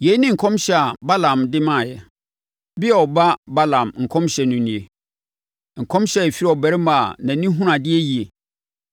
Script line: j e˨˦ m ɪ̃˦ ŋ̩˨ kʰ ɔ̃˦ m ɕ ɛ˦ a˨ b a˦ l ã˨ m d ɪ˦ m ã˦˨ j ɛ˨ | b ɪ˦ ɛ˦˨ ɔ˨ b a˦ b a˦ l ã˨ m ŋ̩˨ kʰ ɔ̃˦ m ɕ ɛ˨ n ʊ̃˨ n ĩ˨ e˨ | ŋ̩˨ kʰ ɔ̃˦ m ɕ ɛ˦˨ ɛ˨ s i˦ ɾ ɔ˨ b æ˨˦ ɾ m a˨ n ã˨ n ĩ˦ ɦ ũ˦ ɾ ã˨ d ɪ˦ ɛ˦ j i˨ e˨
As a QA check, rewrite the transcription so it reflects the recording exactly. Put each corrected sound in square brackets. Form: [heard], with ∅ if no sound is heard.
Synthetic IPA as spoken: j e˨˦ [n] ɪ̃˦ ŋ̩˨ kʰ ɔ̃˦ m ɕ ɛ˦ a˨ b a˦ l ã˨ m d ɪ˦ m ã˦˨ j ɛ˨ | b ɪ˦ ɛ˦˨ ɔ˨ b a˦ b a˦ l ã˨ m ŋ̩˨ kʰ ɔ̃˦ m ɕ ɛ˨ n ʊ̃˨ n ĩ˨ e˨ | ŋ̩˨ kʰ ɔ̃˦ m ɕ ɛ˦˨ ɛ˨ [f] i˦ ɾ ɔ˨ b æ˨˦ ɾ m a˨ n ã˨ n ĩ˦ ɦ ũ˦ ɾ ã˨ d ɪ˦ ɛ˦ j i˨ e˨